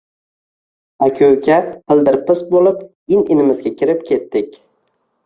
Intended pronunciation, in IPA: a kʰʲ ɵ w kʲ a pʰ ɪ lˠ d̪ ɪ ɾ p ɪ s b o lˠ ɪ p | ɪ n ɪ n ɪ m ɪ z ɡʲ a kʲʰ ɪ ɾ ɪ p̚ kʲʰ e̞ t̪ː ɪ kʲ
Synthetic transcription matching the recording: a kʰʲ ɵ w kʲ a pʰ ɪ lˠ d̪ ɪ ɾ p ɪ s b o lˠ ɪ p | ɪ n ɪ n ɪ m ɪ z ɡʲ a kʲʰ ɪ ɾ ɪ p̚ kʲʰ e̞ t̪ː ɪ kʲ